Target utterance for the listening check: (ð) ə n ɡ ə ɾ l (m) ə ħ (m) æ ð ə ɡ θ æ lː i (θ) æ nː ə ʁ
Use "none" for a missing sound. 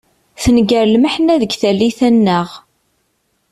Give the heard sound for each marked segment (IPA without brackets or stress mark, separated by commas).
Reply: θ, m, n, θ